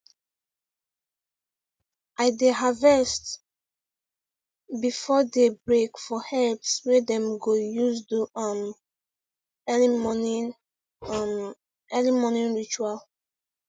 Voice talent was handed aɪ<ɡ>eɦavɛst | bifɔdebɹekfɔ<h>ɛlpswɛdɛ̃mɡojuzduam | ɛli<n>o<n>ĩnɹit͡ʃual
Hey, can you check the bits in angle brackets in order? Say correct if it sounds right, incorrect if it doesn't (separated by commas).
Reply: incorrect, correct, incorrect, correct